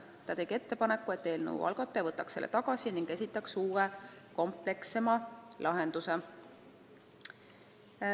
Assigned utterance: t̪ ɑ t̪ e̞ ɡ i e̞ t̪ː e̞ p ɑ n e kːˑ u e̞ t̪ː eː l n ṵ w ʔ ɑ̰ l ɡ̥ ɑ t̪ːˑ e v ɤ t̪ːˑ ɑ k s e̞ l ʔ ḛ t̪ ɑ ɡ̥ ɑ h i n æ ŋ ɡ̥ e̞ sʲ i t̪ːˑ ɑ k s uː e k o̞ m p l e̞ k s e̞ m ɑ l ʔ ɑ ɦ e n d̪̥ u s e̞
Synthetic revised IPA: t̪ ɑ t̪ e̞ ɡ i e̞ t̪ː e̞ p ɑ n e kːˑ u e̞ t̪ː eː l n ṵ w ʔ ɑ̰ l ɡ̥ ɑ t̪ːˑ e v ɤ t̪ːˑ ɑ k s e̞ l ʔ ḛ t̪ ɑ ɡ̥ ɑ s i n i ŋ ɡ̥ e̞ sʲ i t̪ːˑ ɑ k s uː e k o̞ m p l e̞ k s e̞ m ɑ l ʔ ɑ ɦ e n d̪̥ u s e̞

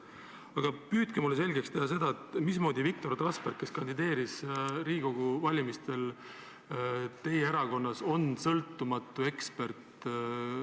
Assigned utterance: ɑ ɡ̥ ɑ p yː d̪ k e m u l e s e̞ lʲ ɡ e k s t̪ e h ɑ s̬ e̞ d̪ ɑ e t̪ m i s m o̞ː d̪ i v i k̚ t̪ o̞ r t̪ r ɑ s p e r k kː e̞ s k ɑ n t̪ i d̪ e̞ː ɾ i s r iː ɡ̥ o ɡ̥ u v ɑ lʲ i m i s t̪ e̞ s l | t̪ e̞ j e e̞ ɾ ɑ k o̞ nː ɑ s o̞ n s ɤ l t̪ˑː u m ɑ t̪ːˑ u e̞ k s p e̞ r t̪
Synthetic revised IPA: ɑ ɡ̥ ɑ p yː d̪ k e m u l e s e̞ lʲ ɡ e k s t̪ e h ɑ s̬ e̞ d̪ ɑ e t̪ m i s m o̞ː d̪ i v i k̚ t̪ o̞ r t̪ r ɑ s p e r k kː e̞ s k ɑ n d̪ i d̪ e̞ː ɾ i s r iː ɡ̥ o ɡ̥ u v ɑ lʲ i m i s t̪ e̞ l | t̪ e̞ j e e̞ ɾ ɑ k o̞ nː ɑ s o̞ n s ɤ l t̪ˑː u m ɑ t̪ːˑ u e̞ k s p e̞ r t̪

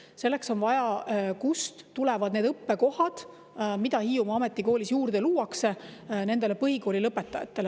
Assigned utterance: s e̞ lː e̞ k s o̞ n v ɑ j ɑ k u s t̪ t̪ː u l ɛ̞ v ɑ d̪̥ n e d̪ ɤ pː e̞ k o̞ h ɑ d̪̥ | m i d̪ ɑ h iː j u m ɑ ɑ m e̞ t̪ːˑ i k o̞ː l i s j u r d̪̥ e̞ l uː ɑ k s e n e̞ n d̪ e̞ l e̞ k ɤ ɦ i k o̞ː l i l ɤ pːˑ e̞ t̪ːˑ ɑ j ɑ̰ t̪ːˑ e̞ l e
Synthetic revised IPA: s e̞ lː e̞ k s o̞ n v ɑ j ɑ k u s t̪ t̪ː u l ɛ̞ v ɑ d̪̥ n e d̪ ɤ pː e̞ k o̞ h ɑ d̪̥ | m i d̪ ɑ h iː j u m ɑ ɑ m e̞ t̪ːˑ i k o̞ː l i s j uː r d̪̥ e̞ l uː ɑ k s e n e̞ n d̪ e̞ l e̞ p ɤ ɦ i k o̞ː l i l ɤ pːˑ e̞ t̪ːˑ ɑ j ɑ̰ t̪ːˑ e̞ l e

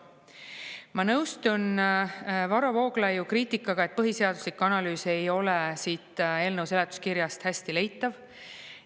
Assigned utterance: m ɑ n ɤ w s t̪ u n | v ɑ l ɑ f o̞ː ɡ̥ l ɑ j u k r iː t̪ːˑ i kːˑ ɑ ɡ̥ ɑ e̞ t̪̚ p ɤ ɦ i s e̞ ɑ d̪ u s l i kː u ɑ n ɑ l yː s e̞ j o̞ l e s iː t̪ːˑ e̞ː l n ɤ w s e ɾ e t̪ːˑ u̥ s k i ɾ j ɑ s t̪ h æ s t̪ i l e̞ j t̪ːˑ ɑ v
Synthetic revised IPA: m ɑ n ɤ w s t̪ u n | v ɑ ɾ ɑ v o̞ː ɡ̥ l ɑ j u k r iː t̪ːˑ i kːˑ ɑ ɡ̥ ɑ e̞ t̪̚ p ɤ ɦ i s e̞ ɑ d̪ u s l i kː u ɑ n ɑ l yː s e̞ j o̞ l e s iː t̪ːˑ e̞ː l n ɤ w s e l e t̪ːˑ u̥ s k i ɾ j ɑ s t̪ h æ s t̪ i l e̞ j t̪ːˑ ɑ v

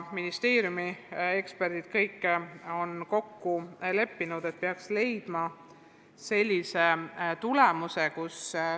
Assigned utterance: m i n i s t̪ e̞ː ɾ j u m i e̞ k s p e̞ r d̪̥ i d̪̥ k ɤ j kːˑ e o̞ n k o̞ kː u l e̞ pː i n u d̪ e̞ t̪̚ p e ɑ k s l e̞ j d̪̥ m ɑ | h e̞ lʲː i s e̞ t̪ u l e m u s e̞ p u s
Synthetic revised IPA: m i n i s t̪ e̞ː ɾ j u m i e̞ k s p e̞ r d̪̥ i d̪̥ k ɤ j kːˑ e o̞ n k o̞ kː u l e̞ pː i n u d̪ e̞ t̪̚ p e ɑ k s l e̞ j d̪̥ m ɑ | s e̞ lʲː i s e̞ t̪ u l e m u s e̞ k u s

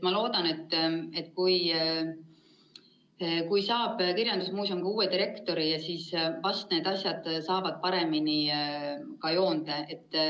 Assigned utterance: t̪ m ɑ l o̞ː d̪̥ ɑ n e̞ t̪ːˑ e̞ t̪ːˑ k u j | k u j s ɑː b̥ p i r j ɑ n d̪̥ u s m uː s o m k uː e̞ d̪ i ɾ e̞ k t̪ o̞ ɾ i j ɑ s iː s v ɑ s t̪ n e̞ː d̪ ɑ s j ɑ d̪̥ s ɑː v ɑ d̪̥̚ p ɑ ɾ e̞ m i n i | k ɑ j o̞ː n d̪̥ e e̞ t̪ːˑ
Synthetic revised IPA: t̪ m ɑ l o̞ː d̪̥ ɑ n e̞ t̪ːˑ e̞ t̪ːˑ k u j | k u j s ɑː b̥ k i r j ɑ n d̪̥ u s m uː s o m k uː e̞ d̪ i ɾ e̞ k t̪ o̞ ɾ i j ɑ s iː s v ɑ s t̪ n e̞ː d̪ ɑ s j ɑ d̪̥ s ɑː v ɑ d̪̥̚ p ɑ ɾ e̞ m i n i | k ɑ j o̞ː n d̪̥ e e̞ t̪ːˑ

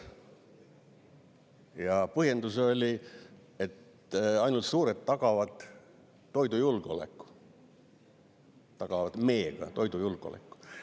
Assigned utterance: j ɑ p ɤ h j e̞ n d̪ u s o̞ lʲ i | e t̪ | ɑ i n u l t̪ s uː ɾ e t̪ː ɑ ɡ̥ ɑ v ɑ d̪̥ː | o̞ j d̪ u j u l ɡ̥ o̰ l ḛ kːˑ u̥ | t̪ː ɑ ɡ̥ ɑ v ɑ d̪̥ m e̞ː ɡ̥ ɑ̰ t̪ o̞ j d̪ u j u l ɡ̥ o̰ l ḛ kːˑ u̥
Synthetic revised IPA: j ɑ p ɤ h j e̞ n d̪ u s o̞ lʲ i | e t̪ | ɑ j n u l t̪ s uː ɾ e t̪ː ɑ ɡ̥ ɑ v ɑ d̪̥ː | o̞ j d̪ u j u l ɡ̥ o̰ l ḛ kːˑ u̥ | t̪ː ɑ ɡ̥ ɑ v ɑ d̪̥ m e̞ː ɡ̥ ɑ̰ t̪ o̞ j d̪ u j u l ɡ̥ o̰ l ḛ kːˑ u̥

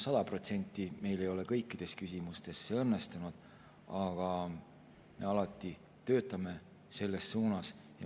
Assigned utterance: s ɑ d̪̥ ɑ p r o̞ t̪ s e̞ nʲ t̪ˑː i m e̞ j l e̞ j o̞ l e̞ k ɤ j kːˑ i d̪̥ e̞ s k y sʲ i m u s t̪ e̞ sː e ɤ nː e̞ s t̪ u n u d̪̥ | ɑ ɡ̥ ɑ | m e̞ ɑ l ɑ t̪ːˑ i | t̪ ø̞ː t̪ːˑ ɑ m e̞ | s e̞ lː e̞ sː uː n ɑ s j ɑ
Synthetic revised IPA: s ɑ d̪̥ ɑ p r o̞ t̪ s e̞ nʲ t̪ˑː i m e̞ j l e̞ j o̞ l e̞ k ɤ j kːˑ i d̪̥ e̞ s k y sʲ i m u s t̪ e̞ sː e ɤ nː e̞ s t̪ u n u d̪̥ | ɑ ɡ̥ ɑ | m e̞ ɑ l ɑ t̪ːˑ i | t̪ ø̞ː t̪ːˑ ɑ m e̞ | s e̞ lː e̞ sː uː n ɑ s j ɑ

